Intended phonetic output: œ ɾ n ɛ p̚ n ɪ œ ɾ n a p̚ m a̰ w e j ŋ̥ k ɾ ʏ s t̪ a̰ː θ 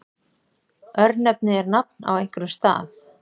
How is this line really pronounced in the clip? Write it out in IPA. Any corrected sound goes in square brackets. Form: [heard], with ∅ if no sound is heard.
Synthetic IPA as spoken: œ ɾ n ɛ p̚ n ɪ [ɛ] ɾ n a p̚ [n] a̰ w e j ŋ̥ k ɾ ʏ s t̪ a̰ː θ